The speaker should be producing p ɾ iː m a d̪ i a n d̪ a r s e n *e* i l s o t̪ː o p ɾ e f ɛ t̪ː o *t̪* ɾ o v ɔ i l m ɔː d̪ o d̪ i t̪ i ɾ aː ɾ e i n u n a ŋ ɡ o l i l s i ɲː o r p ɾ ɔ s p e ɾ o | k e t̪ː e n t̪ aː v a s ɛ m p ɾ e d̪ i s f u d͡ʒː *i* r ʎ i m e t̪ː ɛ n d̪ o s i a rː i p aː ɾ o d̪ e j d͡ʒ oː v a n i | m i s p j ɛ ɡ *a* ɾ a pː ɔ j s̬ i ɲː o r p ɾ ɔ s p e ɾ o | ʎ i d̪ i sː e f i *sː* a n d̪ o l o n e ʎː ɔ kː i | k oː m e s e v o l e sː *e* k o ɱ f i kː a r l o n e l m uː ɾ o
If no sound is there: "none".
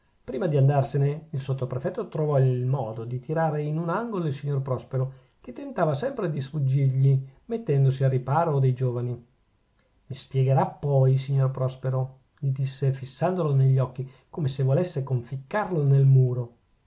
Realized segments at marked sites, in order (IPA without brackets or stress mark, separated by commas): e, t̪, i, e, sː, e